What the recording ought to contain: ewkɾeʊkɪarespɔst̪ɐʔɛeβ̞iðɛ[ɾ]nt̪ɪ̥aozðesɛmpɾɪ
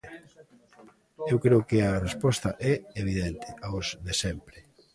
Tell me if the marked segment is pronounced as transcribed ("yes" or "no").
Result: no